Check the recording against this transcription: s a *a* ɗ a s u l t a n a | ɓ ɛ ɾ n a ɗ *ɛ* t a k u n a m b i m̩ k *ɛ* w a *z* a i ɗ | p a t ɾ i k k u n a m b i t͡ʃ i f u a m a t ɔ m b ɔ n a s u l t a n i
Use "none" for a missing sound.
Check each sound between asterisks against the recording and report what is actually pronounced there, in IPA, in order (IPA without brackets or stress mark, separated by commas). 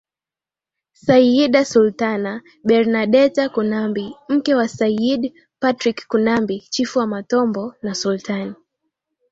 i, ɛ, ɛ, s